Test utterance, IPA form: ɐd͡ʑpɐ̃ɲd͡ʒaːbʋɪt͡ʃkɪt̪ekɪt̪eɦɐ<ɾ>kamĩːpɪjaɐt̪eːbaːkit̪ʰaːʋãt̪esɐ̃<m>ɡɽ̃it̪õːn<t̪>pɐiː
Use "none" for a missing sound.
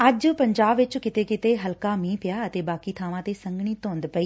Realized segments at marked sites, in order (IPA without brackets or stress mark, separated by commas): l, ŋ, d̪